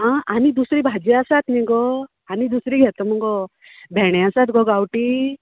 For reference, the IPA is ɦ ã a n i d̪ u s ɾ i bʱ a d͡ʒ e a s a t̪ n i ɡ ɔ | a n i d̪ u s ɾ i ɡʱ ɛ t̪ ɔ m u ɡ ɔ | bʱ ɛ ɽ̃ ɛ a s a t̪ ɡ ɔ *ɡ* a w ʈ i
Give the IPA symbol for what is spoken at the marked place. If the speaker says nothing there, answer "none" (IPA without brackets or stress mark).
ɡ